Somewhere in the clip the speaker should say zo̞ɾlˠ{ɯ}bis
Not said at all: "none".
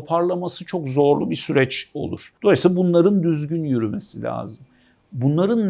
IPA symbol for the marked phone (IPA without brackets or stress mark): u